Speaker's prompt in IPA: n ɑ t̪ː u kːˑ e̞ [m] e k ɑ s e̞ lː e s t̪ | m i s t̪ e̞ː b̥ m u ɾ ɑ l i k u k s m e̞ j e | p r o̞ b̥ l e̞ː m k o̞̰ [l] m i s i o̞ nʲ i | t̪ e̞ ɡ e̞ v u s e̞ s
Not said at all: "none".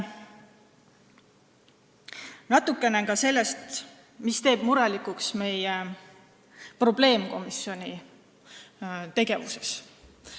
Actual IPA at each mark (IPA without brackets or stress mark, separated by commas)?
n, none